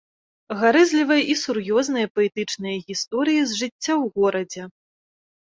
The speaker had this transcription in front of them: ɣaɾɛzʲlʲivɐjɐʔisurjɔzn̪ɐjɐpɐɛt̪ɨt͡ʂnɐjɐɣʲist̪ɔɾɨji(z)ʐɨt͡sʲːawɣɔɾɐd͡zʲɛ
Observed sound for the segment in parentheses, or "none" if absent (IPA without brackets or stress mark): z